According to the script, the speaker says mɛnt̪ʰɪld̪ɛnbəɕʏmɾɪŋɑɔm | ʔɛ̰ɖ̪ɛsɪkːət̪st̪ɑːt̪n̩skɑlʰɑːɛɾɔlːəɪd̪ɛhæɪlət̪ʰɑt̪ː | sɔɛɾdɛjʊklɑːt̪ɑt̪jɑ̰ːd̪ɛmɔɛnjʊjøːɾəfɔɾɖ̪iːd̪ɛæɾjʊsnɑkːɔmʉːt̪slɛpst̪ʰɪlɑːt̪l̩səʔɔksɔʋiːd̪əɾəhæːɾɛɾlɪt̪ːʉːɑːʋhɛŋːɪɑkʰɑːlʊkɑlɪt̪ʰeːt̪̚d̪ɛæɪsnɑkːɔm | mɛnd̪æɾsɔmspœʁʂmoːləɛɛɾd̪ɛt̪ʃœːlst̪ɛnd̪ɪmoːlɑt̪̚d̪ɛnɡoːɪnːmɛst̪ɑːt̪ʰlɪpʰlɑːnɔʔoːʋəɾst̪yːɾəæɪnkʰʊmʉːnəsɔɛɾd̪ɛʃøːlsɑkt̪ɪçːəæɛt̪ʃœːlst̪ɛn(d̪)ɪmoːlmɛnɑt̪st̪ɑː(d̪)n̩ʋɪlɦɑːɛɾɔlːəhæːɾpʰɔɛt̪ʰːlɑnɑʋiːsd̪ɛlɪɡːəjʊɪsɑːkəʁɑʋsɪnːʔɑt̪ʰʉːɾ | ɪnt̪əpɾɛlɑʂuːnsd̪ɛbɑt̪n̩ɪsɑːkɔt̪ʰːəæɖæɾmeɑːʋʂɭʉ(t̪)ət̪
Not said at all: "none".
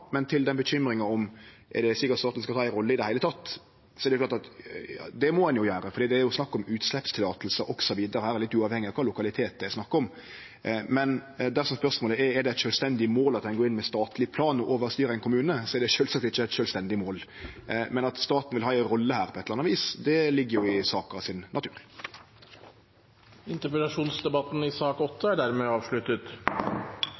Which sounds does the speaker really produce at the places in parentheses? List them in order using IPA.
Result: d̪, t̪, t̪

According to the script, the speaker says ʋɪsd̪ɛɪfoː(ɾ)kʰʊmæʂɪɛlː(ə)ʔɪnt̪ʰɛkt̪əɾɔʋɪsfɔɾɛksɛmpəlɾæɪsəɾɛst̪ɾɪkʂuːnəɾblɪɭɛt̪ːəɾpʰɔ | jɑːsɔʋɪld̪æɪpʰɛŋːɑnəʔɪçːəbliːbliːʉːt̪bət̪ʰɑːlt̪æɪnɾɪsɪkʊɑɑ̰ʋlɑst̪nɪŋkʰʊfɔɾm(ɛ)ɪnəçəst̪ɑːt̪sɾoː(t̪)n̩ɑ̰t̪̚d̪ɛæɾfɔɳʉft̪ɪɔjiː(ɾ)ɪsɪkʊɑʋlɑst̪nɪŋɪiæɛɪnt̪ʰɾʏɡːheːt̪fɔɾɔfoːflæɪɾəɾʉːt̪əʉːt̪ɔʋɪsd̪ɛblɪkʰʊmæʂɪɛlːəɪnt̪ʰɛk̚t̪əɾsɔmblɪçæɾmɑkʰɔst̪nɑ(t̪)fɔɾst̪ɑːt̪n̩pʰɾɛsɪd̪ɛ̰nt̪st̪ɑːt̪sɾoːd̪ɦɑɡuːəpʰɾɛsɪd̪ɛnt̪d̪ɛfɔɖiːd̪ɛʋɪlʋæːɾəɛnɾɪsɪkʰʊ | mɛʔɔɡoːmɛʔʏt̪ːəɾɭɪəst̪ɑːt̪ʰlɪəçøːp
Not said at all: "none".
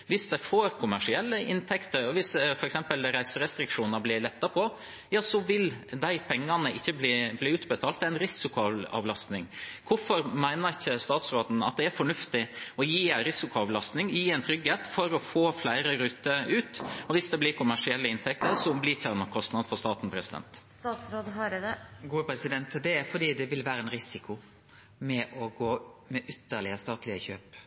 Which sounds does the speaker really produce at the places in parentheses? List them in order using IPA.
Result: ɾ, ə, æ, d̪, ɾ, d̪

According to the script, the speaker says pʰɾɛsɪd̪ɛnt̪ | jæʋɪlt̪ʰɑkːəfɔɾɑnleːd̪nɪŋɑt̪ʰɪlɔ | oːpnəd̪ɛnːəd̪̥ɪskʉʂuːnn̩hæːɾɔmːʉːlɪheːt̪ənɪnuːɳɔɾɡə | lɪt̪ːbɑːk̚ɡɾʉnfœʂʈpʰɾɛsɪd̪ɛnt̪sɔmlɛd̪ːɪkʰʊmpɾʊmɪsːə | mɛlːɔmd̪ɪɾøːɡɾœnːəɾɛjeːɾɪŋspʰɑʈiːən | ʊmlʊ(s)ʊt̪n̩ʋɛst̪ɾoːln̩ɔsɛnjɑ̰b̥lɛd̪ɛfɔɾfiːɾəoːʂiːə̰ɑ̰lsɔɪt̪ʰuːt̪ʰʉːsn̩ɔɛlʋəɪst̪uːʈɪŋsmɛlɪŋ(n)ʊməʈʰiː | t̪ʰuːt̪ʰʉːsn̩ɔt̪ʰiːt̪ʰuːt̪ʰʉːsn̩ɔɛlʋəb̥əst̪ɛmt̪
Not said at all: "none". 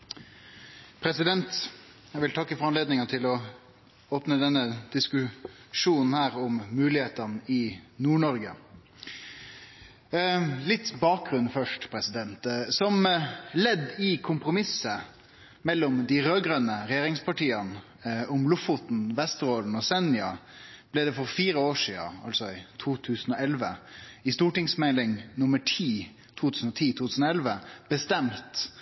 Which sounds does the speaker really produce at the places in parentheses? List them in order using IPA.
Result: f, n

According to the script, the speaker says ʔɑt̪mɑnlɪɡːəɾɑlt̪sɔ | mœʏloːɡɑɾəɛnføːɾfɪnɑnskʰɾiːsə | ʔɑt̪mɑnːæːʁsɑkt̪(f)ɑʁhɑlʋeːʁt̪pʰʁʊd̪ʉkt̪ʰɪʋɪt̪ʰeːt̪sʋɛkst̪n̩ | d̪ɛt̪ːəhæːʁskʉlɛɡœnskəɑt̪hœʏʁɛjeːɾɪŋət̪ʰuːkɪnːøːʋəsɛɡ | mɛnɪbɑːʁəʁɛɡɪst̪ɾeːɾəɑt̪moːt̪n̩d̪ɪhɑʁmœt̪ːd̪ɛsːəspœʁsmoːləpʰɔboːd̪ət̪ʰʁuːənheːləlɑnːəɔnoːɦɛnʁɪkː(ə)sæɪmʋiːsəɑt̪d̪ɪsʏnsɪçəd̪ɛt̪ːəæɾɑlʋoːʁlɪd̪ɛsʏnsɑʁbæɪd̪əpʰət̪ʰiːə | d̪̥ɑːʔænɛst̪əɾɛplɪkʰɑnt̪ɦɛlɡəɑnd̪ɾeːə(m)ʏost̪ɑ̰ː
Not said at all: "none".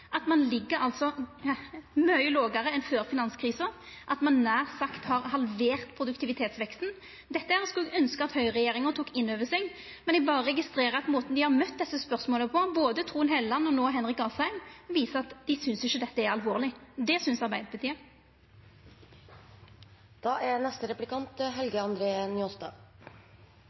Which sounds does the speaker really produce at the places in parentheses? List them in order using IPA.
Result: h, ɑ, n

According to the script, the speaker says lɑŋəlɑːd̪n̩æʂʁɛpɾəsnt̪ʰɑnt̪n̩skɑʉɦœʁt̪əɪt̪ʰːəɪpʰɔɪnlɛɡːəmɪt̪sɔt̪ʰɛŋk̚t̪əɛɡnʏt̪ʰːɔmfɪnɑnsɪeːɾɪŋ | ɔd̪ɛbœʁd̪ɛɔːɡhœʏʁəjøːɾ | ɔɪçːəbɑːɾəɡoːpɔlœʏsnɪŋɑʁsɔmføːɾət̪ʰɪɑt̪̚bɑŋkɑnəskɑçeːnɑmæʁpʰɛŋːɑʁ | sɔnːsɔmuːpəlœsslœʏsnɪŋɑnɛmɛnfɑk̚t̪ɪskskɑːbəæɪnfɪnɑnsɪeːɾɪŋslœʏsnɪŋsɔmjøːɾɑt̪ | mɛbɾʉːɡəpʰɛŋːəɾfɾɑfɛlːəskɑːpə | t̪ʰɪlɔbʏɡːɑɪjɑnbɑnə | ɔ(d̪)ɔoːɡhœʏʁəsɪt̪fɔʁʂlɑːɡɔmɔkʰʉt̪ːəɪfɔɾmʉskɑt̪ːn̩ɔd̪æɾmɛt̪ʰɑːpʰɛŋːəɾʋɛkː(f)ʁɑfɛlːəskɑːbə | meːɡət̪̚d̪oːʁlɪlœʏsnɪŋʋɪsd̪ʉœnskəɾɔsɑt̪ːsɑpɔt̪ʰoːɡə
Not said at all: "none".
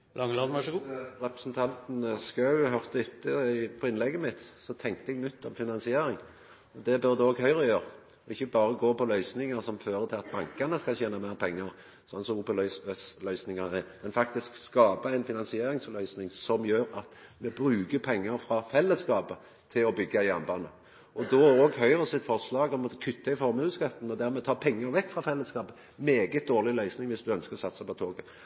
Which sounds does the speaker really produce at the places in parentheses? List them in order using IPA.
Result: d̪, f

